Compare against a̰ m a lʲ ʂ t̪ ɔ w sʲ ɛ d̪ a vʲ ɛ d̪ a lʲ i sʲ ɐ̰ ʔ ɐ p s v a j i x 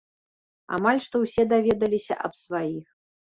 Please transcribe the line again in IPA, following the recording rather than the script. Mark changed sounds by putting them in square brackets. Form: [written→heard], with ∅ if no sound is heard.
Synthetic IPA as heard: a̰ m a lʲ ʂ t̪ ɔ w sʲ ɛ d̪ a vʲ ɛ d̪ [a→ɐ] lʲ i sʲ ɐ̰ ʔ ɐ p s v a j i x